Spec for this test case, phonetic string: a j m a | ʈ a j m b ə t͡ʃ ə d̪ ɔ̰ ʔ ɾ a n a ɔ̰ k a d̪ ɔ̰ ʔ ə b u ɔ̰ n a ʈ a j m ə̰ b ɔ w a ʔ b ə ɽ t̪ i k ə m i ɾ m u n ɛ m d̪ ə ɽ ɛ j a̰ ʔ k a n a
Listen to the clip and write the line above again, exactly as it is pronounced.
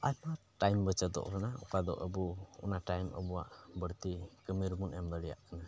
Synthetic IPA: a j m a | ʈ a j m b ə t͡ʃ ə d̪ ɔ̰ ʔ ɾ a n a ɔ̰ k a d̪ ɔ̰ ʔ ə b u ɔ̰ n a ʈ a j m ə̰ b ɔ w a ʔ b ə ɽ t̪ i k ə m i ɾ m u n ɛ m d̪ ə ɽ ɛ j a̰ ʔ k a n a

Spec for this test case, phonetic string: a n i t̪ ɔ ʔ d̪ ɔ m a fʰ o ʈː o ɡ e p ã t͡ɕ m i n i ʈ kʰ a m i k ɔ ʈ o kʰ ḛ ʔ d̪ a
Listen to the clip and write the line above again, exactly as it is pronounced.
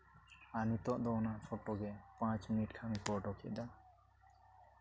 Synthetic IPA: a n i t̪ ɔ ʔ d̪ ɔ n a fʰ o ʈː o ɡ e p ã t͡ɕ m i n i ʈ kʰ a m i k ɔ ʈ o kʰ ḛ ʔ d̪ a

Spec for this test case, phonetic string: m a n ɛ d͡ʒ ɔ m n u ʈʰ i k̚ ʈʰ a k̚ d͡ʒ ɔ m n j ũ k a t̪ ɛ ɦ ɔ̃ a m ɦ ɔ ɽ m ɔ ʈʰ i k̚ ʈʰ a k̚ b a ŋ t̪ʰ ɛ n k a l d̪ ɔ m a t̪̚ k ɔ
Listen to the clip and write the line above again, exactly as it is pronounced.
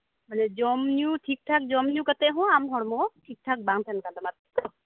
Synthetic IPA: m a n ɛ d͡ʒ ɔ m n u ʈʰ i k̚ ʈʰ a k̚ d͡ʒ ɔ m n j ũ k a t̪ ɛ ɦ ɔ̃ a m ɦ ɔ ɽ m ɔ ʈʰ i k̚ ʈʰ a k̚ b a ŋ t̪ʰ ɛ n k a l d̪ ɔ m a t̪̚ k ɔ

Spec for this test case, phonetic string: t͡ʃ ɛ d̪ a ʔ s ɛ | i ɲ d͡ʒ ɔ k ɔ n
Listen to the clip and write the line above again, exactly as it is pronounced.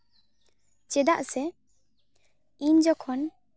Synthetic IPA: t͡ʃ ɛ d̪ a ʔ s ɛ | i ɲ d͡ʒ ɔ kʰ ɔ n

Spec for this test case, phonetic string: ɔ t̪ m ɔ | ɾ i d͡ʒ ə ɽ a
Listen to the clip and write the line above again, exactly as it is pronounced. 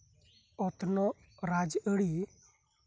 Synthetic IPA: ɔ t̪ n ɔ | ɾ a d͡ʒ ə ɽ i

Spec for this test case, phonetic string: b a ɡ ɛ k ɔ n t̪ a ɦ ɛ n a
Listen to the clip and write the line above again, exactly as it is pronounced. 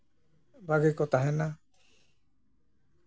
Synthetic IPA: b a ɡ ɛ k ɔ t̪ a ɦ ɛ n a

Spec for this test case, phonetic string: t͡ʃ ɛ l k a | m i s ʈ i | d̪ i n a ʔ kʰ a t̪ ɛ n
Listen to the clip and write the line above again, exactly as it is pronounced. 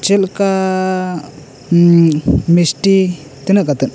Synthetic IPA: t͡ʃ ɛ l k a | m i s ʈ i | t̪ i n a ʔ k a t̪ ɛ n

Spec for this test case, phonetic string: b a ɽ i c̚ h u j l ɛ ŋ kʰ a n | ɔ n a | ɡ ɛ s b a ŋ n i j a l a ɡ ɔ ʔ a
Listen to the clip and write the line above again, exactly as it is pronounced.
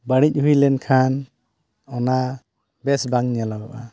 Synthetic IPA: b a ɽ i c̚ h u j l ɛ n kʰ a n | ɔ n a | b ɛ s b a ŋ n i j a l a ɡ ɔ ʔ a

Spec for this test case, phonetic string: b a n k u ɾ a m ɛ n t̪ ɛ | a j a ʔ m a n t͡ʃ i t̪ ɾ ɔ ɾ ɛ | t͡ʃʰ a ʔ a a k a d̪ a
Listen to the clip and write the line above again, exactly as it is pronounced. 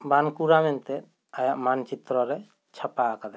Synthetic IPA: b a n k u ɾ a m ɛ n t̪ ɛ | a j a ʔ m a n t͡ʃ i t̪ ɾ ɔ ɾ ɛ | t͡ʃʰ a p a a k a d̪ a

